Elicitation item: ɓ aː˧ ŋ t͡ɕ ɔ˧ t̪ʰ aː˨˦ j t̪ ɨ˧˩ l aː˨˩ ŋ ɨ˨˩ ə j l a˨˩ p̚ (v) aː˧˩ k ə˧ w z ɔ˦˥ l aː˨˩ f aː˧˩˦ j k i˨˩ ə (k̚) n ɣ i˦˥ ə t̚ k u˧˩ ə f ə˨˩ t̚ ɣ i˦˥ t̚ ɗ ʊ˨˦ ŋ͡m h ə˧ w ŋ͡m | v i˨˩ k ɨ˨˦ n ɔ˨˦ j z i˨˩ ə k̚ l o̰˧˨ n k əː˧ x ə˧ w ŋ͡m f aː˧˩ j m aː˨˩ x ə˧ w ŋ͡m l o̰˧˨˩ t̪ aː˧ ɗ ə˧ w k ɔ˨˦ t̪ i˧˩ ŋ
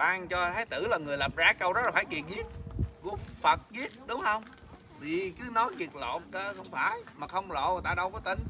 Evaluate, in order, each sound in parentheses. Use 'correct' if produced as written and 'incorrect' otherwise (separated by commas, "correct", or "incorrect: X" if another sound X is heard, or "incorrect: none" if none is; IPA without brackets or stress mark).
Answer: incorrect: z, incorrect: none